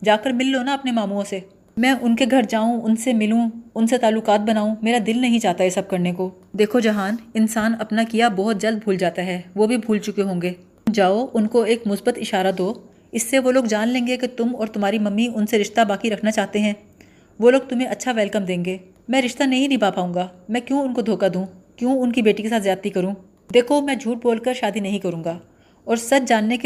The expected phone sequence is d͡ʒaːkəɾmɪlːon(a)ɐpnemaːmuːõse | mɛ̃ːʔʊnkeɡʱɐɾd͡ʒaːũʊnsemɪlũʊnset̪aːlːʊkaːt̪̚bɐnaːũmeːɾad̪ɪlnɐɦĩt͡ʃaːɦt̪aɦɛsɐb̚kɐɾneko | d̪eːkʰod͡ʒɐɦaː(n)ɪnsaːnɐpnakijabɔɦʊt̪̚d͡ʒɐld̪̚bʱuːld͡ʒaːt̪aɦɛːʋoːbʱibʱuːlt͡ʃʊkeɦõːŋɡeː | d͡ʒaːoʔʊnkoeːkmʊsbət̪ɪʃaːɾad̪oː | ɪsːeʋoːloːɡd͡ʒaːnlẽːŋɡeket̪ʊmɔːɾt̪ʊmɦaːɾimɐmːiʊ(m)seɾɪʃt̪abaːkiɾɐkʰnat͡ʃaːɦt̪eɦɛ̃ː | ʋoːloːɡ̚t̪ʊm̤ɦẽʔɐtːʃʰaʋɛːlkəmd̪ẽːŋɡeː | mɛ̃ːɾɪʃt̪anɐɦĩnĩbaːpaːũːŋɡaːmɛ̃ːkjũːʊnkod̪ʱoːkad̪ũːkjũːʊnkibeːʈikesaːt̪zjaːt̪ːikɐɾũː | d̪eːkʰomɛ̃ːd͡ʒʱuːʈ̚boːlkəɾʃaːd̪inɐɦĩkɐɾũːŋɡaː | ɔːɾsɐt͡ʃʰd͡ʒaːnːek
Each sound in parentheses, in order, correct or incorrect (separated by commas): correct, correct, incorrect